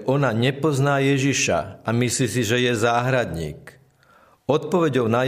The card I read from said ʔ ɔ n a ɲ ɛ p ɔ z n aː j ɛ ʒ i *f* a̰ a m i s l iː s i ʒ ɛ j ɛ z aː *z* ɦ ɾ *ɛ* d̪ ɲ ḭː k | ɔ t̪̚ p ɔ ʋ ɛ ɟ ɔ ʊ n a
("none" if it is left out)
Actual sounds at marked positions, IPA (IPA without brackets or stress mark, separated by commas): ʃ, none, a